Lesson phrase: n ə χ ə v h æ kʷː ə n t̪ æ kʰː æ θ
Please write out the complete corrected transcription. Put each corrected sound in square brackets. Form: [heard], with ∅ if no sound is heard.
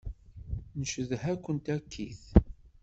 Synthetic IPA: n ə [ʃ] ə [ð] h æ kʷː ə n t̪ æ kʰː [i] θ